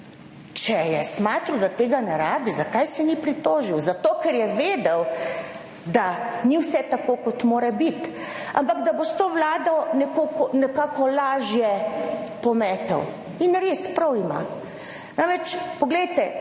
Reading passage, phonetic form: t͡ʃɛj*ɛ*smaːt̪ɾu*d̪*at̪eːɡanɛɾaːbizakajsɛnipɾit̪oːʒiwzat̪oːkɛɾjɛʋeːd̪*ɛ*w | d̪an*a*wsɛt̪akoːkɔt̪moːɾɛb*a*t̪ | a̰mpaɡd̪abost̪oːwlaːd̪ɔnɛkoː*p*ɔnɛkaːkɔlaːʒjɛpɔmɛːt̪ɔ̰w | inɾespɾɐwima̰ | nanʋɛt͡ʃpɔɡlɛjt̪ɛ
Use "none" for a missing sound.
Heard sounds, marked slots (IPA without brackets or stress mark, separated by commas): ɛ, d̪, ɛ, i, i, k